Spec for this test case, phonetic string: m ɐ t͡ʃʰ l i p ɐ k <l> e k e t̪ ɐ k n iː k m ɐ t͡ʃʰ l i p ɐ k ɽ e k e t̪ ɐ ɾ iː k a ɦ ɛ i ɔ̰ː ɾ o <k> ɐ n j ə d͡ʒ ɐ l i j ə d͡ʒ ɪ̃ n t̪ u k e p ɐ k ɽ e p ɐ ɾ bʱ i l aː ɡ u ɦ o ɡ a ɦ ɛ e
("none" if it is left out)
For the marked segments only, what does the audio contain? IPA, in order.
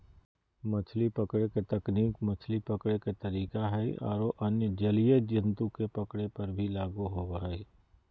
ɽ, ʔ

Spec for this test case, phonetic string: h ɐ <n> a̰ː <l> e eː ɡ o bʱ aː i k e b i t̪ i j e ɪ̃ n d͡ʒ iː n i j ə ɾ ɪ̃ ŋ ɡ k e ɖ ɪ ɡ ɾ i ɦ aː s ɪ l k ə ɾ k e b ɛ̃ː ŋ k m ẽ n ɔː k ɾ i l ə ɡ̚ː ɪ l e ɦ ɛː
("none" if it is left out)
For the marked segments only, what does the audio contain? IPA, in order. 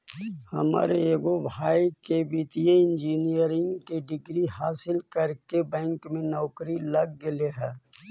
m, ɾ

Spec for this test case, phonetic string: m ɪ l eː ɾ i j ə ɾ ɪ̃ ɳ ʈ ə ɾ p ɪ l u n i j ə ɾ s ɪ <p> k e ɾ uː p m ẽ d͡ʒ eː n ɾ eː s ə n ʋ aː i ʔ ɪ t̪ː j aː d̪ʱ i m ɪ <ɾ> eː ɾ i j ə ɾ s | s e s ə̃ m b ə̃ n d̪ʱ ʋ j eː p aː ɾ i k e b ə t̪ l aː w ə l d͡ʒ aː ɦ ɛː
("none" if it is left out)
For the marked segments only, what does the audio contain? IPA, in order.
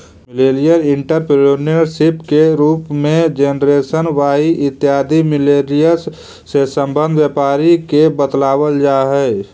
p, l

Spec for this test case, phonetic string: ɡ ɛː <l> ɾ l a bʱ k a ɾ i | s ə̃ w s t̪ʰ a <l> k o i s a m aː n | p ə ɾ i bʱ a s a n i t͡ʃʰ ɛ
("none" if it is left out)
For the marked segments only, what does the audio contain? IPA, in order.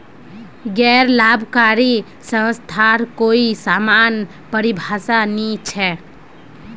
none, ɾ

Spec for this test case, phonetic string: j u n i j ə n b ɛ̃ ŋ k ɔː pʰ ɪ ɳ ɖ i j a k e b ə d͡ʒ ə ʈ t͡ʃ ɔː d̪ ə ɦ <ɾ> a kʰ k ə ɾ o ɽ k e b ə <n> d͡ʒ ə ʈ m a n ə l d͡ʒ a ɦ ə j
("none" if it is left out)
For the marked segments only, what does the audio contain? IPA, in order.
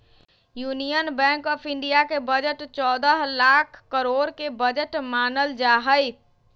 l, none

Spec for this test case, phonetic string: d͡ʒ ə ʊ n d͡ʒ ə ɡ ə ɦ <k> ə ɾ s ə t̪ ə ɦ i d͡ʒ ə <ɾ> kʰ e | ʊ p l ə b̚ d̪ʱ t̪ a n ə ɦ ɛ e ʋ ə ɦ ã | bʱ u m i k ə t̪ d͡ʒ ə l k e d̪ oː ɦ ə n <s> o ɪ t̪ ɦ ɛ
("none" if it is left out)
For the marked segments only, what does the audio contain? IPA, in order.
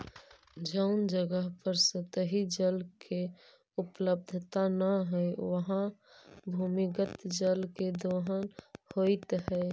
p, l, h

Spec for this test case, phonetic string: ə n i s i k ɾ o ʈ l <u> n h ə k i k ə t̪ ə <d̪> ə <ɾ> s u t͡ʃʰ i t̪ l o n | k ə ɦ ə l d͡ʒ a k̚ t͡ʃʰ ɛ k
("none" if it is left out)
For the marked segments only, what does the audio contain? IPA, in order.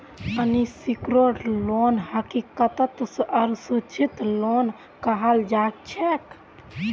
o, t̪, ɾ

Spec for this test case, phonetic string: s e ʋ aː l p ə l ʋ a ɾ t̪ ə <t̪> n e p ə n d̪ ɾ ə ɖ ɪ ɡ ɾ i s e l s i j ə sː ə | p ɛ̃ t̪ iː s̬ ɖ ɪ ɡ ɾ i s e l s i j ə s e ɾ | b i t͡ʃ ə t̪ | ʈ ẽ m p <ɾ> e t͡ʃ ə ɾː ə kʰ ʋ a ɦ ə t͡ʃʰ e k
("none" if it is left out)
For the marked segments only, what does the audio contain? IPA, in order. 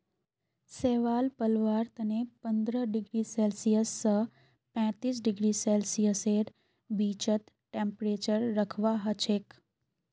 none, ɾ

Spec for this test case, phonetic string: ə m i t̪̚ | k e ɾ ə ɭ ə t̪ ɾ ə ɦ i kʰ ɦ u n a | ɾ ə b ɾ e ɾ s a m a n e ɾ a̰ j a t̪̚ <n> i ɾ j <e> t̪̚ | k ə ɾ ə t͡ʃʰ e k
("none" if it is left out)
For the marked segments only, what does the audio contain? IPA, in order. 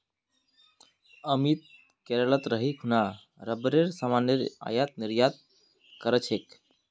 n, a

